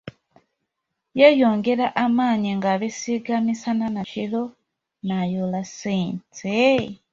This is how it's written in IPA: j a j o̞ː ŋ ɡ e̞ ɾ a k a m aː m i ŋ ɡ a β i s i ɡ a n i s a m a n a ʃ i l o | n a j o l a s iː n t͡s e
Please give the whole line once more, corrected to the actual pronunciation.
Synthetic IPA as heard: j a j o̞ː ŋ ɡ e̞ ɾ a ʔ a m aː ɲ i ŋ ɡ a β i s i ɡ a m i s a n a n a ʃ i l o | n a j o l a s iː n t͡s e